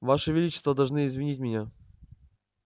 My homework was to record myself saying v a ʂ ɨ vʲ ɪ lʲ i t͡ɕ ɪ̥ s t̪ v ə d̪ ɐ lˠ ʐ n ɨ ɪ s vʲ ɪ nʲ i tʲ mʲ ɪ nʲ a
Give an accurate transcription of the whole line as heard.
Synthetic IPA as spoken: v a ʂ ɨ vʲ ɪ lʲ i t͡ɕ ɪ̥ s t̪ v ə d̪ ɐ lˠ ʐ n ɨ ɪ z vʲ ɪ nʲ i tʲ mʲ ɪ nʲ a